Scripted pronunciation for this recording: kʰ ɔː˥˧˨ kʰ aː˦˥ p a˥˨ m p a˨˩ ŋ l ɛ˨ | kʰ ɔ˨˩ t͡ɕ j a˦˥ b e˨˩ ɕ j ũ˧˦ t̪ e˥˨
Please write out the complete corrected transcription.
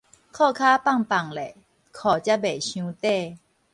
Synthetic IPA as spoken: kʰ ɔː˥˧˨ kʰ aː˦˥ p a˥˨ ŋ p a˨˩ ŋ l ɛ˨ | kʰ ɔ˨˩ t͡ɕ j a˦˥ b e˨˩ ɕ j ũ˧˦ t̪ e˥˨

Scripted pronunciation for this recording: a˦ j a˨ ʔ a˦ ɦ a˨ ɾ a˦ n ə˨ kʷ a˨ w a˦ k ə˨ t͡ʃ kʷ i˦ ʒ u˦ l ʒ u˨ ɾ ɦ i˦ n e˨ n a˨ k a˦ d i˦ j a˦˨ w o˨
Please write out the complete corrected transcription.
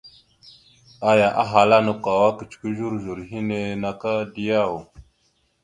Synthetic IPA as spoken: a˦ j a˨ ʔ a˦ ɦ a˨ l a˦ n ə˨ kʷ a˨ w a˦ k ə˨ t͡ʃ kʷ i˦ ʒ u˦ ɾ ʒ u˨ ɾ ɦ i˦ n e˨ n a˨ k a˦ d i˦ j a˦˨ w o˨

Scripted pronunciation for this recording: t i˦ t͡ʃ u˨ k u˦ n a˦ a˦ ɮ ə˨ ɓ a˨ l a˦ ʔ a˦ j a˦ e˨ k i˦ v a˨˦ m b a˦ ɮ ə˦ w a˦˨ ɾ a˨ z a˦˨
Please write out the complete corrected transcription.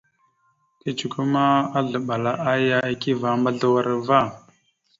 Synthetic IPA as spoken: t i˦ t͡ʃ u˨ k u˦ m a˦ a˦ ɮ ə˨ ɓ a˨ l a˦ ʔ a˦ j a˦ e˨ k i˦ v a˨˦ m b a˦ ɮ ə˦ w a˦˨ ɾ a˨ v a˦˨

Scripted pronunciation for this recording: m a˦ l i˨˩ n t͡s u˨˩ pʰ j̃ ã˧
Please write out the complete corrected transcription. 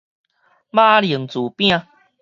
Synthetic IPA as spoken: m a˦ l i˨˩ ŋ t͡s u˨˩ p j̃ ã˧

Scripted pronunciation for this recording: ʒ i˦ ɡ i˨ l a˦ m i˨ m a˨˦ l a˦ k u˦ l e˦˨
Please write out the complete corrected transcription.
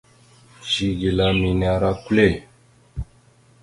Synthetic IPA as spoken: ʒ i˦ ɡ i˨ l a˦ m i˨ n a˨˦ ɾ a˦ k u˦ l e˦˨

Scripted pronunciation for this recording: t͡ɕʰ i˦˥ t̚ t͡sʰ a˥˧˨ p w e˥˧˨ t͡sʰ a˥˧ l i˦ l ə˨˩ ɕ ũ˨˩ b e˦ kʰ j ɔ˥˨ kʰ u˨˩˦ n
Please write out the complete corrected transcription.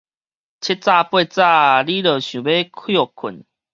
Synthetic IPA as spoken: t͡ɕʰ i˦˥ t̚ t͡s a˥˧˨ p w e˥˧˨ t͡s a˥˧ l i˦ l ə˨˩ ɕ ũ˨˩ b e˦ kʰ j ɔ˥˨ kʰ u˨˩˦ n

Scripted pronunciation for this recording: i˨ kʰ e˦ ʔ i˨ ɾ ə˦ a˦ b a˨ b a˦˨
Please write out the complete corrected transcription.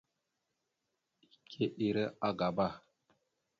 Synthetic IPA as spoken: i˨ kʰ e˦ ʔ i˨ ɾ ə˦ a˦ ɡ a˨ b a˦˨

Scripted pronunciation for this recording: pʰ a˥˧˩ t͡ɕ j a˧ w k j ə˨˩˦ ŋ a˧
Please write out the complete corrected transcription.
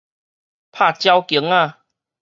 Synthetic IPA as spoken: pʰ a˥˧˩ t͡ɕ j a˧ w k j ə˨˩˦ ŋ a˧

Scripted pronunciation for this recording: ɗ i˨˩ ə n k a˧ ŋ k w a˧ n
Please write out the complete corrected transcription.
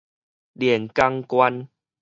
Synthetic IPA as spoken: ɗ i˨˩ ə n k a˧ ŋ k w a˧ n

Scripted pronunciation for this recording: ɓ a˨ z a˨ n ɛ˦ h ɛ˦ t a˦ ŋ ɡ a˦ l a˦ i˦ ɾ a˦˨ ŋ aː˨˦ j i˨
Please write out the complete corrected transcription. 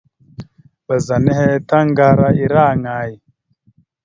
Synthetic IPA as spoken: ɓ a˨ z a˨ n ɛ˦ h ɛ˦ t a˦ ŋ ɡ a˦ ɾ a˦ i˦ ɾ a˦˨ ŋ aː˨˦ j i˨

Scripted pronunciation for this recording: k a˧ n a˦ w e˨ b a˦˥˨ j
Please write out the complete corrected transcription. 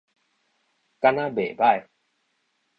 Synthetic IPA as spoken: k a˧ n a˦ b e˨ b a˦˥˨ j

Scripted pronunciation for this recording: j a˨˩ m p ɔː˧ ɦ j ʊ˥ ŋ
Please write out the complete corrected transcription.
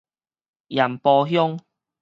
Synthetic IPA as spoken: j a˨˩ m p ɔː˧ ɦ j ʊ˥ ŋ

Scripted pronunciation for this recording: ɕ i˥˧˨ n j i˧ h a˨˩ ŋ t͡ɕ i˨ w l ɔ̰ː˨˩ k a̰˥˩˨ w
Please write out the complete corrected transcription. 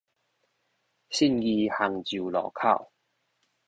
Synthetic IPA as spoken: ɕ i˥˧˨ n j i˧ h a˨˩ ŋ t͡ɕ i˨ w l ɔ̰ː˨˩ kʰ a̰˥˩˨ w

